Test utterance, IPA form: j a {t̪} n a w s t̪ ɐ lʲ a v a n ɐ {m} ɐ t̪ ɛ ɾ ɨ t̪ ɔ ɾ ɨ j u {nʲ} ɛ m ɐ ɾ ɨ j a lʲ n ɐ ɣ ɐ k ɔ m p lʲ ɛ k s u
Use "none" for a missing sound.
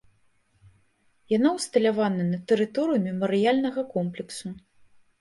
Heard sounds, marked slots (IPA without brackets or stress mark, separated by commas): none, n, mʲ